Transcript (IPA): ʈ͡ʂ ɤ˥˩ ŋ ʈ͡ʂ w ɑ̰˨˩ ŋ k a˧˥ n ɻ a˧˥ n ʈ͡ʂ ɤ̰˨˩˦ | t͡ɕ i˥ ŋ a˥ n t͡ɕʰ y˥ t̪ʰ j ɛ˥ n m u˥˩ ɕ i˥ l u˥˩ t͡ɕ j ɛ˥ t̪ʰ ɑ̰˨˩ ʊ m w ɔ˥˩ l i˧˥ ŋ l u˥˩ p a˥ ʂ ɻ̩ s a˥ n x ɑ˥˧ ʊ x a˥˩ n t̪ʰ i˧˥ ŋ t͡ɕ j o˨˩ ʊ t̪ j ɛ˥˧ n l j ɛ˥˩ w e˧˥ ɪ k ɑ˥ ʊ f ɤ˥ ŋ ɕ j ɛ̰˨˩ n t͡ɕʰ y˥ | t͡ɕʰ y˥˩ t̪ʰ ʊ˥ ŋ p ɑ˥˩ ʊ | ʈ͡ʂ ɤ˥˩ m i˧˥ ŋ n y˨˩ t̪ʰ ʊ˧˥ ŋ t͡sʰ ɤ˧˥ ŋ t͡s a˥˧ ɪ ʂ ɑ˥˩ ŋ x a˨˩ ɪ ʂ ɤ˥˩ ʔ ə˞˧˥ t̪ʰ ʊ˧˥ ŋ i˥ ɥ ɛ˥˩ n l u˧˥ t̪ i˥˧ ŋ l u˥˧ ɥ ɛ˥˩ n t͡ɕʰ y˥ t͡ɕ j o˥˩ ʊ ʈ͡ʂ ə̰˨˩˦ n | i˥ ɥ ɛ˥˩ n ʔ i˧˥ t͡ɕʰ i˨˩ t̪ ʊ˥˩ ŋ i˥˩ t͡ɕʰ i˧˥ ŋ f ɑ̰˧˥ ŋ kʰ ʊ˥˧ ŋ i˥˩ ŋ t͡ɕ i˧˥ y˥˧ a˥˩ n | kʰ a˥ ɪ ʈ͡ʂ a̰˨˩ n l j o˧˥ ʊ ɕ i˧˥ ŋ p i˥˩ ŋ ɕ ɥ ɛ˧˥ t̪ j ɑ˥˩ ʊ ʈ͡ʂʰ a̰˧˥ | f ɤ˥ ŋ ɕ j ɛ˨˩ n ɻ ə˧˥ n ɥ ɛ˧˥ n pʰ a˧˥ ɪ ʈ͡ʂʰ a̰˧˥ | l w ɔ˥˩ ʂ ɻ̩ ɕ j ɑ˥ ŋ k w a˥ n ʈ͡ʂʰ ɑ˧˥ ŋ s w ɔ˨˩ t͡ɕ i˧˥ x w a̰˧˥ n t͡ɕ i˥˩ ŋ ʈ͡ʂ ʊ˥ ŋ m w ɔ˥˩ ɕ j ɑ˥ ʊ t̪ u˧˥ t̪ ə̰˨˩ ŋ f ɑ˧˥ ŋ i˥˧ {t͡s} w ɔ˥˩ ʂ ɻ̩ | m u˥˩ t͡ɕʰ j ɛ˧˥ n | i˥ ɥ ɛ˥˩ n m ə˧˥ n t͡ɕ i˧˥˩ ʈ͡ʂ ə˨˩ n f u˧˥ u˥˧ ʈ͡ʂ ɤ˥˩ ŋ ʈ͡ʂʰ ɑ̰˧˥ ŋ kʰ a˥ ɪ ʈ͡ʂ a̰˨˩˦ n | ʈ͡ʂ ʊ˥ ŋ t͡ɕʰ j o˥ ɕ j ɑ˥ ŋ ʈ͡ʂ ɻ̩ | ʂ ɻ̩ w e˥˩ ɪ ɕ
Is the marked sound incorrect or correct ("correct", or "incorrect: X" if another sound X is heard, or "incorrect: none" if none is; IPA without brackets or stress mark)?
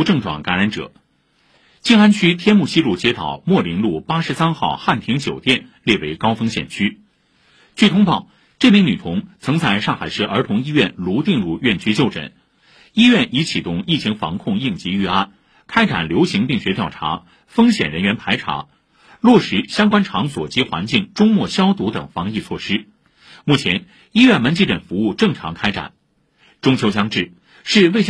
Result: incorrect: t͡sʰ